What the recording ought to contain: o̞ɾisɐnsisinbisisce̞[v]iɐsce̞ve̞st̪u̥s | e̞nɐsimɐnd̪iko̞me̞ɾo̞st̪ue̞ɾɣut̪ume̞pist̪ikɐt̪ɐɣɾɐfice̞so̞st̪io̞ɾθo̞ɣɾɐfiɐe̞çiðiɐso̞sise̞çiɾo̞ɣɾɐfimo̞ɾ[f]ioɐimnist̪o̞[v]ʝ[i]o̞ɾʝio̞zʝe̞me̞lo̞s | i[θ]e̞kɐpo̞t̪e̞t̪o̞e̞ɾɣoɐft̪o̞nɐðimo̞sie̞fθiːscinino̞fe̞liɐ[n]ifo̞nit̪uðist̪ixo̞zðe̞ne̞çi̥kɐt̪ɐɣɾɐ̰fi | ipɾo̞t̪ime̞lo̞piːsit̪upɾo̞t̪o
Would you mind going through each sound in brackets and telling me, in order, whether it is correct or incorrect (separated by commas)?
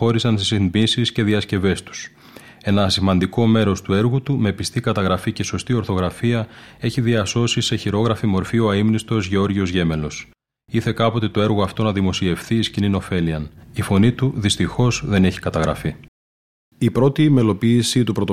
incorrect, correct, incorrect, incorrect, correct, correct